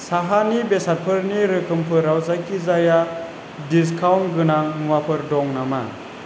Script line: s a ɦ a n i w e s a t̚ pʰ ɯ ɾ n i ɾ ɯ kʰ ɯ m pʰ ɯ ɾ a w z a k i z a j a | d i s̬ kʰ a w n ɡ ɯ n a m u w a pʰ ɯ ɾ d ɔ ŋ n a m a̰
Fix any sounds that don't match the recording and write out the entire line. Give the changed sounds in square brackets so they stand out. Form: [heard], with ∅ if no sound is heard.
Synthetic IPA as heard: s a ɦ a n i [b] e s a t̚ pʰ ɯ ɾ n i ɾ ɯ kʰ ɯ m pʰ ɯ ɾ a w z a k i z a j a | d i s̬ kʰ a w n ɡ ɯ n a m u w a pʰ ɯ ɾ d ɔ ŋ n a m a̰